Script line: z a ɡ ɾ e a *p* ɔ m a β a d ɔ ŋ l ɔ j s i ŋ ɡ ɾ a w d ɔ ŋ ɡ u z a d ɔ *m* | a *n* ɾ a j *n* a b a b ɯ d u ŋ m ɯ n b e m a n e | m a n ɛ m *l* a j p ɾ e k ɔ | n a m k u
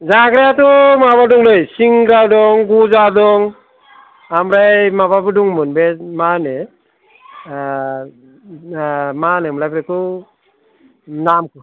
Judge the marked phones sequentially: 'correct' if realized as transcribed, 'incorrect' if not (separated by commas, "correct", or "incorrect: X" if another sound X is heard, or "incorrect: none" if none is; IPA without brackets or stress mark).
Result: incorrect: t, incorrect: ŋ, incorrect: m, incorrect: m, correct